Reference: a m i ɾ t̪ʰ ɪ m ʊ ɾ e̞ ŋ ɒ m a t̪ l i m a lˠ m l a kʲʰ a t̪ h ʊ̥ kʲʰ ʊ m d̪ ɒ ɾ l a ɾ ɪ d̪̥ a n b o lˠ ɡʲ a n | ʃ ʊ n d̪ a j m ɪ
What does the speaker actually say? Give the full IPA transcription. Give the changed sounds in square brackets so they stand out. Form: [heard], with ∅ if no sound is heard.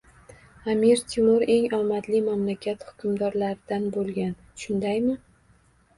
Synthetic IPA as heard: a m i ɾ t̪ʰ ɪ m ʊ ɾ e̞ ŋ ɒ m a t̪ l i m a [∅] m l a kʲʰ a t̪ h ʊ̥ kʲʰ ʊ m d̪ ɒ ɾ l a ɾ ɪ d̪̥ a n b o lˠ ɡʲ a n | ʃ ʊ n d̪ a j m ɪ